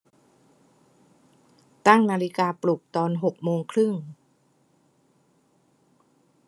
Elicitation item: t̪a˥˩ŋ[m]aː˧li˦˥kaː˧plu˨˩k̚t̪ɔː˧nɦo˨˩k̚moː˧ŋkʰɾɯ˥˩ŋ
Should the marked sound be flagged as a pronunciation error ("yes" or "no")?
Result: yes